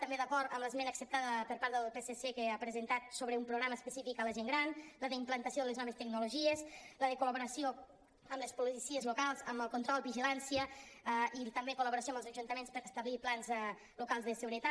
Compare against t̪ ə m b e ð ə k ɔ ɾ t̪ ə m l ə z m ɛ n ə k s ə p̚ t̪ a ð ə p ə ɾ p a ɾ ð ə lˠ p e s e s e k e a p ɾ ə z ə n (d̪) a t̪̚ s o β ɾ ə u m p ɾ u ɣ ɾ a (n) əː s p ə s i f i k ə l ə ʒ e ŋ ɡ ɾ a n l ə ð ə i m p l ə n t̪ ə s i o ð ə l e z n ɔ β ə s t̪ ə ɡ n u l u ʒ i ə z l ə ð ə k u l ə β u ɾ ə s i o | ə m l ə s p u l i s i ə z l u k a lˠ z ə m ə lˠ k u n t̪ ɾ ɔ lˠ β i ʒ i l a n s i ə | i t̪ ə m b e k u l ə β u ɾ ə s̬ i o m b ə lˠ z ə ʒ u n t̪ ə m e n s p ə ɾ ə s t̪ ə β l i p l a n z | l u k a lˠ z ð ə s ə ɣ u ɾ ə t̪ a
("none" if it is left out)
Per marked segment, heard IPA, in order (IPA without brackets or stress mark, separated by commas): t̪, m